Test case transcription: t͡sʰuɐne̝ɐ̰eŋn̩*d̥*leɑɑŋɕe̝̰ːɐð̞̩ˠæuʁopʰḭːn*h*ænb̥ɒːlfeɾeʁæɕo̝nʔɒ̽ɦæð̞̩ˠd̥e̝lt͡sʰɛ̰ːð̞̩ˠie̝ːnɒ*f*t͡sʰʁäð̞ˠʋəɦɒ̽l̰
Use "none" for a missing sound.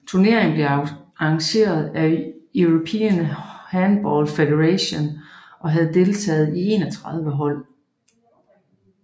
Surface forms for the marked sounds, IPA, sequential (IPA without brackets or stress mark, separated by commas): b̥, h, none